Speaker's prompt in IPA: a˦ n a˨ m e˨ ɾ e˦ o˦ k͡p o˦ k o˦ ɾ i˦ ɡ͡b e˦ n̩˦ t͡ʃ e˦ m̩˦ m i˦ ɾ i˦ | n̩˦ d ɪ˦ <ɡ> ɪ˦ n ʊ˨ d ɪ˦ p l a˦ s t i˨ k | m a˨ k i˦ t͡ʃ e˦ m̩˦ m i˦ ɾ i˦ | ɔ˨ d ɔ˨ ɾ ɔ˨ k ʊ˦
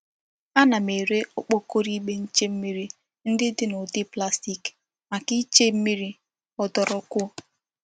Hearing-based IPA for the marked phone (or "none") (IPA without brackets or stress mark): d